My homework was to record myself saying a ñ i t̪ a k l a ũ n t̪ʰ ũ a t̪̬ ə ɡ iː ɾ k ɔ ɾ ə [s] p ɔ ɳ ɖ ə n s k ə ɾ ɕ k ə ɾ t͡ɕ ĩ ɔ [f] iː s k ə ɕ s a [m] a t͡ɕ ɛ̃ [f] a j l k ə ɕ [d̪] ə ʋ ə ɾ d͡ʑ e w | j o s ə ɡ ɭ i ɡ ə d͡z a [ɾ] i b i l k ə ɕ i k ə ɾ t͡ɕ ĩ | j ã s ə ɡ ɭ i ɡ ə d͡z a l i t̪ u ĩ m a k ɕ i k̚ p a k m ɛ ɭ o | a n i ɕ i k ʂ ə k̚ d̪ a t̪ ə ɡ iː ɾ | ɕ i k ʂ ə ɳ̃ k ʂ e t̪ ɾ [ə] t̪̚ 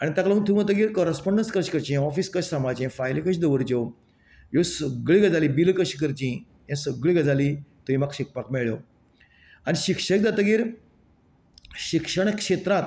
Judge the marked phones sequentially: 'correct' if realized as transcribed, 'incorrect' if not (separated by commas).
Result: correct, correct, correct, correct, correct, incorrect, incorrect